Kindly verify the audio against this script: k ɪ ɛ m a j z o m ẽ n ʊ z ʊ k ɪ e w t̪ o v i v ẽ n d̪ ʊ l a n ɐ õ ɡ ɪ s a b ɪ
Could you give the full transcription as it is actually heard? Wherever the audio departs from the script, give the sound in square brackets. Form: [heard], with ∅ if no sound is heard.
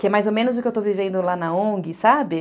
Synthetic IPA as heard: k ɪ ɛ m a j z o m ẽ n ʊ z ʊ k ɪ e w t̪ o v i v ẽ n d̪ ʊ l a n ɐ õ ɡ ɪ s a b ɪ